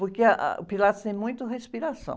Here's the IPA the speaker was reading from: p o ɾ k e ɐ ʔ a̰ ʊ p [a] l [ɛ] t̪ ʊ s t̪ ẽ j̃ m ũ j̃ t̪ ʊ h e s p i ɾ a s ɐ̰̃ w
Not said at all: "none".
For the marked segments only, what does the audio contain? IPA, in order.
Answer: i, a

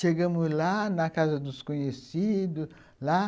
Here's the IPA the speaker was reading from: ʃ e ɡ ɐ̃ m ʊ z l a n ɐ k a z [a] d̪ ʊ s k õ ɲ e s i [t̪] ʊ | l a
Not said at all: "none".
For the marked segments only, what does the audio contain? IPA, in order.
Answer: ɐ, d̪

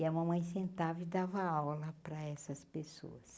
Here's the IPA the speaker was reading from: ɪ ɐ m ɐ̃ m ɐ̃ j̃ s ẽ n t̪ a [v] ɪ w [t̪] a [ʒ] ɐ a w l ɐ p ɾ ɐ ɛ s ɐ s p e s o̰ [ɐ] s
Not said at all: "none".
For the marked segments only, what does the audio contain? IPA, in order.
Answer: v, d̪, v, ɐ

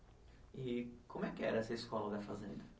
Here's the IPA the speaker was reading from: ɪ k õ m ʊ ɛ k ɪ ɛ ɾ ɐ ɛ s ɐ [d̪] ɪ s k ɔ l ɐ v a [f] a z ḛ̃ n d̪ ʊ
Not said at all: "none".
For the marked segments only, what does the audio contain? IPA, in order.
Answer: none, f

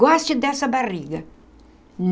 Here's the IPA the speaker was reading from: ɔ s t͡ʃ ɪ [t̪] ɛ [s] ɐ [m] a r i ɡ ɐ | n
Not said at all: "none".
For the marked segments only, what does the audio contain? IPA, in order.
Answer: d̪, s, b

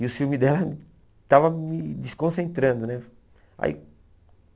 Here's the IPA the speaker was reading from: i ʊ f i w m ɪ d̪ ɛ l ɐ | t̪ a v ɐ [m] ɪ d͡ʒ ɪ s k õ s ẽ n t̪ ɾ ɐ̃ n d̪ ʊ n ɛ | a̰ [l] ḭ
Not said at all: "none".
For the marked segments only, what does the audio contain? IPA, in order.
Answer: m, none

